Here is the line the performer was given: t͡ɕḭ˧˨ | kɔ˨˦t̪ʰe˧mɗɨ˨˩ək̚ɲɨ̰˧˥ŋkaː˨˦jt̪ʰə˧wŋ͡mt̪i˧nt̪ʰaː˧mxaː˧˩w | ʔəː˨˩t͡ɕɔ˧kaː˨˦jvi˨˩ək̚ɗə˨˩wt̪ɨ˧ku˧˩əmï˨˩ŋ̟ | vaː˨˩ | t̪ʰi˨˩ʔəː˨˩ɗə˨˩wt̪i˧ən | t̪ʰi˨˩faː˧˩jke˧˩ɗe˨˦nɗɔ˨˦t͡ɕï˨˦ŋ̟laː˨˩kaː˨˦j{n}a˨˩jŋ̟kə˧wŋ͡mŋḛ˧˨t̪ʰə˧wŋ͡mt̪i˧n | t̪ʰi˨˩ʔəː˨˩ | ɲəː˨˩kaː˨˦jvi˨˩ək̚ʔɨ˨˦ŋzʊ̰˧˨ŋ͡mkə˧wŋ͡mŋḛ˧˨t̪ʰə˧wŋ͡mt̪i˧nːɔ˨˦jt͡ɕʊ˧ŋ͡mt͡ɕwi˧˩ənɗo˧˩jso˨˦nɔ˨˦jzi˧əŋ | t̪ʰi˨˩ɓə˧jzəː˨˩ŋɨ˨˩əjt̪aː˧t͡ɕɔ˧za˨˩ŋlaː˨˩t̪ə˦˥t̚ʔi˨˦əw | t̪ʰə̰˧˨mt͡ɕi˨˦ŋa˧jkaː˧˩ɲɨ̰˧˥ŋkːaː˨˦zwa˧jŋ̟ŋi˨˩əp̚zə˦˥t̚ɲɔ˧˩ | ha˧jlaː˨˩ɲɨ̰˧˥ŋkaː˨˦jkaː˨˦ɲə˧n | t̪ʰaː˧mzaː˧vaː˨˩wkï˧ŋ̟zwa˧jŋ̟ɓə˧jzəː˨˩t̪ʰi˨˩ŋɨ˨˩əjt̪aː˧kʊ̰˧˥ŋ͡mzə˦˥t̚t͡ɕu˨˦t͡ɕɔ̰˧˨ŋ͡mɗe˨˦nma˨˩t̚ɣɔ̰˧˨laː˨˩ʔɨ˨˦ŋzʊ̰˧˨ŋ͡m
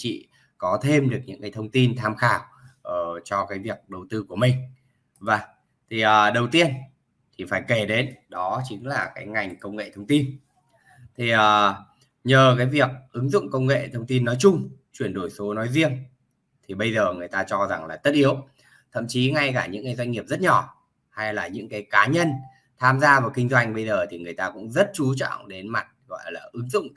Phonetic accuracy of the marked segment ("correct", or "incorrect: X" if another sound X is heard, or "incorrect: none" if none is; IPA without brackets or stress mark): incorrect: ŋ